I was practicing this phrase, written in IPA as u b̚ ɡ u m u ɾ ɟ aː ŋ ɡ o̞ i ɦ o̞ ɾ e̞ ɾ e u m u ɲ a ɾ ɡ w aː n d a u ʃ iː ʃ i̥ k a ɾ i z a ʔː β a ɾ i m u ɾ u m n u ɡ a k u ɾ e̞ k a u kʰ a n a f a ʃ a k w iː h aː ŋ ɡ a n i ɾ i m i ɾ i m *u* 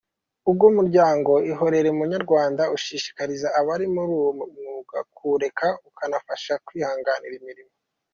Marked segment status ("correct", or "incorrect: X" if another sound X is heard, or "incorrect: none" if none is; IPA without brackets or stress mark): incorrect: o